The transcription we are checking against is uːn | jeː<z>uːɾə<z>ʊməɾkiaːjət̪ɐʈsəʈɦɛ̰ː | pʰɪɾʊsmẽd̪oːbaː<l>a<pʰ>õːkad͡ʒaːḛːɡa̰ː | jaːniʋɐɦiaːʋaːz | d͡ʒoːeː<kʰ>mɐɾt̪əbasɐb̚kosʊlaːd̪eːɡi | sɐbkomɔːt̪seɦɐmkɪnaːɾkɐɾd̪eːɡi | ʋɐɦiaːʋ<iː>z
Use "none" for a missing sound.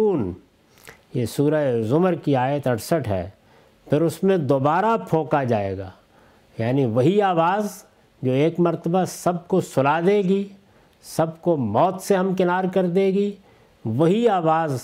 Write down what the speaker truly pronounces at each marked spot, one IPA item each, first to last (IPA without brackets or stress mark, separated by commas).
s, z, ɾ, pʰ, k, aː